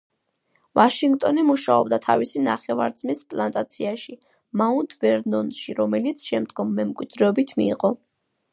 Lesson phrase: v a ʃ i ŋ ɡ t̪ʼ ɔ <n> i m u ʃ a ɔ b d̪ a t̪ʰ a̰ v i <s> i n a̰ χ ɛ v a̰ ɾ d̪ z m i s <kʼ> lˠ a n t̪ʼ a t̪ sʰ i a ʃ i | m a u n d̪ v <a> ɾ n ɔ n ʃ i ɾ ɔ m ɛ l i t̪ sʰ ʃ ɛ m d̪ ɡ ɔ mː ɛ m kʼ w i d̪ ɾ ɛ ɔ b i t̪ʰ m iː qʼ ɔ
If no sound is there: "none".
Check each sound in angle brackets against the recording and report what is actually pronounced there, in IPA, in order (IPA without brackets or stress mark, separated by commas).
n, s, pʼ, ɛ